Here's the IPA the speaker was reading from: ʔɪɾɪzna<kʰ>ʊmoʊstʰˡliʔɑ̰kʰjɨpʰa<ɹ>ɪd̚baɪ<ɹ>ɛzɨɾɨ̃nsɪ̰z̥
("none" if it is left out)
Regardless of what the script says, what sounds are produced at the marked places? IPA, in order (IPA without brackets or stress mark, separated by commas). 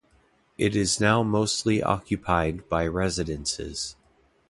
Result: none, none, ɹ